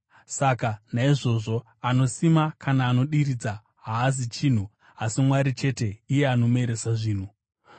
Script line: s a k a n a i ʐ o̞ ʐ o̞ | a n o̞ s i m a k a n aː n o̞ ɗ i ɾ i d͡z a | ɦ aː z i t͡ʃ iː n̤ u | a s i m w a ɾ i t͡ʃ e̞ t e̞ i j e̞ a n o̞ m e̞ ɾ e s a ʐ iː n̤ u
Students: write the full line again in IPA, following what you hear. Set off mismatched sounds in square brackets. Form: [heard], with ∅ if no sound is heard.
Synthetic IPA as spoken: s a k a n a i ʐ o̞ ʐ o̞ | a n o̞ s i m a k a n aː n o̞ ɗ i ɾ i d͡z a | ɦ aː z i t͡ʃ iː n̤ u | a s i m w a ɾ i t͡ʃ e̞ t e̞ i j e̞ a n o̞ m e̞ ɾ e s a ʐ iː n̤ u

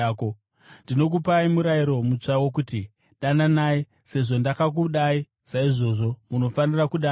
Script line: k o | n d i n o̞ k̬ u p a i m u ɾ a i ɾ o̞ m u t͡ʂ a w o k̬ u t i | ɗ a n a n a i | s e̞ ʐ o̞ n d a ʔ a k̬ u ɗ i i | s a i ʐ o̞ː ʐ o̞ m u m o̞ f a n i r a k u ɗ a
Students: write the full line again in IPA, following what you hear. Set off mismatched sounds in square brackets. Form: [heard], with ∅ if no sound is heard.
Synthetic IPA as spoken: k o | n d i n o̞ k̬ u p a i m u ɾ a i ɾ o̞ m u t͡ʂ a w o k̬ u t i | ɗ a n a n a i | s e̞ ʐ o̞ n d a [k] a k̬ u ɗ [a] i | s a i ʐ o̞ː ʐ o̞ m u [n] o̞ f a n i r a k u ɗ a

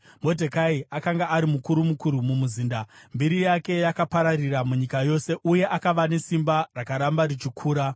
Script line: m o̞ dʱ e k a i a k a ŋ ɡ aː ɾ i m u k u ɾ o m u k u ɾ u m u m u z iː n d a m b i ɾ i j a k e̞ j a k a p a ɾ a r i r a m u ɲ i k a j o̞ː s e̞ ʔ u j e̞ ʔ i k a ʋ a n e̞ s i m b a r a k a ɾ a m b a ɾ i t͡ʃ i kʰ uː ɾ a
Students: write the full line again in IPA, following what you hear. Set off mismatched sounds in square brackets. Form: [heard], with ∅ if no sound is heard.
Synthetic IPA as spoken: m o̞ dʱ e k a i a k a ŋ ɡ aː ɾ i m u k u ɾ [u] m u k u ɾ u m u m u z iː n d a m b i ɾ i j a k e̞ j a k a p a ɾ a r i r a m u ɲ i k a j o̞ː s e̞ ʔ u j e̞ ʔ [a] k a ʋ a n e̞ s i m b a r a k a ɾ a m b a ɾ i t͡ʃ i kʰ uː ɾ a

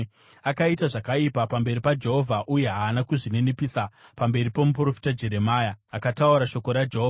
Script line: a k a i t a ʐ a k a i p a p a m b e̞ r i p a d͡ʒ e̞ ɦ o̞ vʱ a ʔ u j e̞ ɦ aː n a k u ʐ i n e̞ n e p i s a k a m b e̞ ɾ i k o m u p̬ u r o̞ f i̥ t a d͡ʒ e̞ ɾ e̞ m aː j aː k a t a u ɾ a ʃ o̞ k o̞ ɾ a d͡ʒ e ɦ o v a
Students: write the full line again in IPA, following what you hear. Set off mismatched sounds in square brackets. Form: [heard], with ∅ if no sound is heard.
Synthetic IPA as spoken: a k a i t a ʐ a k a i p a p a m b e̞ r i p a d͡ʒ e̞ ɦ o̞ vʱ a ʔ u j e̞ ɦ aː n a k u ʐ i n e̞ n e p i s a [p] a m b e̞ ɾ i [p] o m u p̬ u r o̞ f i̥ t a d͡ʒ e̞ ɾ e̞ m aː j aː k a t a u ɾ a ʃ o̞ k o̞ ɾ a d͡ʒ e ɦ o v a

